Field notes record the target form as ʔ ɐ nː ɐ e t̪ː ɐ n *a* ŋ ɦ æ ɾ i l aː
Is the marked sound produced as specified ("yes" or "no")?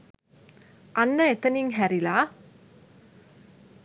no